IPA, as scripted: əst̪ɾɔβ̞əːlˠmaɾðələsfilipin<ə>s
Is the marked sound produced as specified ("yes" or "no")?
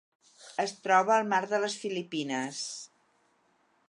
yes